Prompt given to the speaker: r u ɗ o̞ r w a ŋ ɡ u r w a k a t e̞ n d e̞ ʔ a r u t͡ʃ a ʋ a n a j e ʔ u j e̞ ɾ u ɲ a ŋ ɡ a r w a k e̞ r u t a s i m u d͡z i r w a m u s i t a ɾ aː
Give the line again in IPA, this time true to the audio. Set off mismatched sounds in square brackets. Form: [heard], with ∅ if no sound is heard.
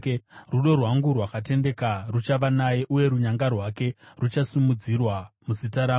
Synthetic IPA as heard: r u ɗ o̞ r w a ŋ ɡ u r w a k a t e̞ n d e̞ [k] a r u t͡ʃ a ʋ a n a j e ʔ u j e̞ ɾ u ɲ a ŋ ɡ a r w a k e̞ r u [t͡ʃ] a s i m u d͡z i r w a m u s i t a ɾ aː